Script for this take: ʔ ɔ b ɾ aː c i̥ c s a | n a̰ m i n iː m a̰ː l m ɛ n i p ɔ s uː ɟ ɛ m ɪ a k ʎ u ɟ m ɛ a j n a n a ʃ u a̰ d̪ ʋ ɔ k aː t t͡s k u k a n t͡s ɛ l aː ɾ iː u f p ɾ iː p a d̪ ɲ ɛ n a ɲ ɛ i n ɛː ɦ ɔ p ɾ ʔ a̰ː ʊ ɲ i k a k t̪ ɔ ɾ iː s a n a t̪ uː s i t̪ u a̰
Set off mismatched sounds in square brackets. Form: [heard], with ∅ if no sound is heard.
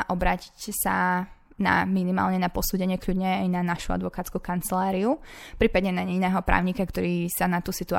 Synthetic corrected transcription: ʔ ɔ b ɾ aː c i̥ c s a | n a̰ m i n [i] m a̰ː l [ɲ] ɛ n [a] p ɔ s uː ɟ ɛ [ɲ] ɪ [ɛ] k ʎ u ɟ [ɲ] ɛ a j n a n a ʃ u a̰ d̪ ʋ ɔ k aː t t͡s k u k a n t͡s ɛ l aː ɾ [i] u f p ɾ iː p a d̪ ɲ ɛ n a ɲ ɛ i n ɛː ɦ ɔ p ɾ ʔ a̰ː ʊ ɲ i k a k t̪ ɔ ɾ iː s a n a t̪ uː s i t̪ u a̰